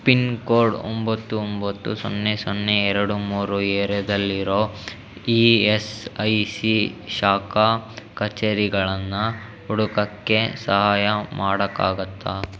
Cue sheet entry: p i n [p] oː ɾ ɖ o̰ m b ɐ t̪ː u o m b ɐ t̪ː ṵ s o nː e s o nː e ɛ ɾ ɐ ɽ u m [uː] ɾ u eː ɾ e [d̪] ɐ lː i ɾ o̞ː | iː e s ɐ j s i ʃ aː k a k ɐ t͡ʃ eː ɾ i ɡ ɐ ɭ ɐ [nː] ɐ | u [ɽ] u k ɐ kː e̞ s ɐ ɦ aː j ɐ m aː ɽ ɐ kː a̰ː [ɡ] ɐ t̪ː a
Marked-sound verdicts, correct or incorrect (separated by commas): incorrect, correct, correct, correct, correct, correct